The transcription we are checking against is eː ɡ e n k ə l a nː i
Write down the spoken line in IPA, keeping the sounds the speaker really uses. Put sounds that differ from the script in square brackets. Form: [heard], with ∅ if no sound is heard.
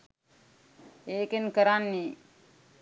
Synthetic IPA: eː [k] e n k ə [ɾ] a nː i